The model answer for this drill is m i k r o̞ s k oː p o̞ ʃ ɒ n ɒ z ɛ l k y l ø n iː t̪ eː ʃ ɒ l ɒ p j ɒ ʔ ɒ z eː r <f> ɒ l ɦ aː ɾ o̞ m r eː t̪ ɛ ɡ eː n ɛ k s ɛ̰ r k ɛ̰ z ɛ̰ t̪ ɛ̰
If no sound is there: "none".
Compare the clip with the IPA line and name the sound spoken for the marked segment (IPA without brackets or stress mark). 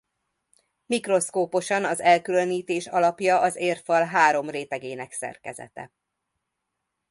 f